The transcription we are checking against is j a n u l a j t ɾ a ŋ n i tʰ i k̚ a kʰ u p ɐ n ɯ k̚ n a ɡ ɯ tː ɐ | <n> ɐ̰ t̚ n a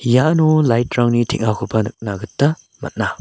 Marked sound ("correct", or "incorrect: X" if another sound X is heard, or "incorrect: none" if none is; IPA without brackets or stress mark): incorrect: m